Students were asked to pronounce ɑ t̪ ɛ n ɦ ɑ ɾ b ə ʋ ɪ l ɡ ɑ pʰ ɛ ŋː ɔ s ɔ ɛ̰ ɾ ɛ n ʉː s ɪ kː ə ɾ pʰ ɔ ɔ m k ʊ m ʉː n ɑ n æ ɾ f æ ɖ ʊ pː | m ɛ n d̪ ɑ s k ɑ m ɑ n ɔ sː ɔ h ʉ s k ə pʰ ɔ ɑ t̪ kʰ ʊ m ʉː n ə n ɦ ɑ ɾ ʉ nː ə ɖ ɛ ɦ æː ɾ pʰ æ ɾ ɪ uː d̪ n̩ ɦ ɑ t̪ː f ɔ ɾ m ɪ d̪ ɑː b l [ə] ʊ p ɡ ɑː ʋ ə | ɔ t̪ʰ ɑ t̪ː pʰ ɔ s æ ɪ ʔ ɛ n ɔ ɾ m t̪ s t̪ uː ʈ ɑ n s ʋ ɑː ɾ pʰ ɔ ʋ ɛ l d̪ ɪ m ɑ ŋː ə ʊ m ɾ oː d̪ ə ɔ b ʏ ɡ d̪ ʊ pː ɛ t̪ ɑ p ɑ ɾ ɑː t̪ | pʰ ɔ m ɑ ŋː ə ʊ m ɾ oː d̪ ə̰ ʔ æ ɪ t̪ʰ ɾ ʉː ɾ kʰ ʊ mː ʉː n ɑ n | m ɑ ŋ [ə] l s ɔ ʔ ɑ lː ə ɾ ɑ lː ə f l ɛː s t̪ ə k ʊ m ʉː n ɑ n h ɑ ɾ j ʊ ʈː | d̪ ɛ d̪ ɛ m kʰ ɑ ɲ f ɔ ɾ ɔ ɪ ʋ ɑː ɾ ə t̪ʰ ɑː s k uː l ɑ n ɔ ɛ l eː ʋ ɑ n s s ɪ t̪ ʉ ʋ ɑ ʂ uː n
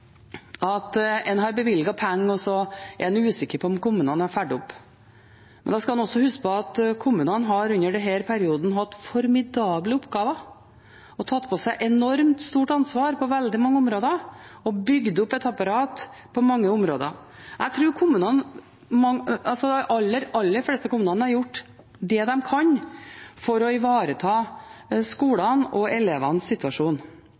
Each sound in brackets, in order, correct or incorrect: correct, incorrect: ɑ

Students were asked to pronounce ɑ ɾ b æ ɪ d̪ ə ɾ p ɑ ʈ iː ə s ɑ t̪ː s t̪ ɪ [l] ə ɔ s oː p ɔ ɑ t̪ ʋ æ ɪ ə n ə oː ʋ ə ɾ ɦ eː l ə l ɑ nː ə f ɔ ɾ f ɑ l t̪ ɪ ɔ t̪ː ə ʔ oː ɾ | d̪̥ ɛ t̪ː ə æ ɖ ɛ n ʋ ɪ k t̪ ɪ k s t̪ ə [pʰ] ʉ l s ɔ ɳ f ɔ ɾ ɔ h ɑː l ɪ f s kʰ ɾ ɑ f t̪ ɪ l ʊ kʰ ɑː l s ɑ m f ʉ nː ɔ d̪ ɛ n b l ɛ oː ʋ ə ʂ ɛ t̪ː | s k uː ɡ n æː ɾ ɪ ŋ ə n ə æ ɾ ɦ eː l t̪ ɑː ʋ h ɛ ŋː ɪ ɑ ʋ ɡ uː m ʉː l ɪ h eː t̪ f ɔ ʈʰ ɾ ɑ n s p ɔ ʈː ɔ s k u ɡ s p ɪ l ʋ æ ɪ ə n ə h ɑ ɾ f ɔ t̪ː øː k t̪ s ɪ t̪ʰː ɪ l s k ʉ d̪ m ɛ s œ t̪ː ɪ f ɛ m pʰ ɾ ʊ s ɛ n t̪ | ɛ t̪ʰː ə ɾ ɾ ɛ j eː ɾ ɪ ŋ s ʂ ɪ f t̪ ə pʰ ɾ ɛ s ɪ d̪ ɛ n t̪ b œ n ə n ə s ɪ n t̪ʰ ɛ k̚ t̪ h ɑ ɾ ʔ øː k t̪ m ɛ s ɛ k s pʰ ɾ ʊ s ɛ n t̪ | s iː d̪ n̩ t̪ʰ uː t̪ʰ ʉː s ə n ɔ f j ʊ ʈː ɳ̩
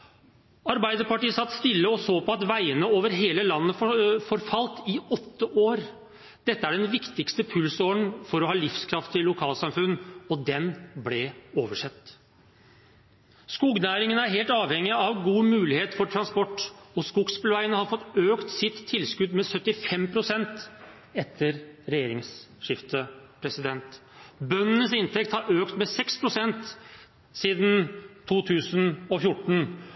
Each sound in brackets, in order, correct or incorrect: incorrect: lː, correct

